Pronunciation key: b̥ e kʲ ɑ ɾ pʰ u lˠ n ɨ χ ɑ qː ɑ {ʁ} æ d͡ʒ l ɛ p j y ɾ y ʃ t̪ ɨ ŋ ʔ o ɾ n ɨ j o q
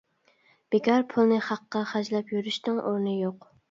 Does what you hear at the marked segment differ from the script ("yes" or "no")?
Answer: yes